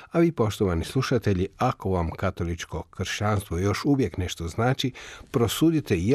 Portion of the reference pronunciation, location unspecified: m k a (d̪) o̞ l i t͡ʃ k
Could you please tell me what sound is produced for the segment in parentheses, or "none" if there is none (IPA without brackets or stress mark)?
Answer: t̪